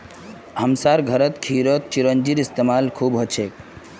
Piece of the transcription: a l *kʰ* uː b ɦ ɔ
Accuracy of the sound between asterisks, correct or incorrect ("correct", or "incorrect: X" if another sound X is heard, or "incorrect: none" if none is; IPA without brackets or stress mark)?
correct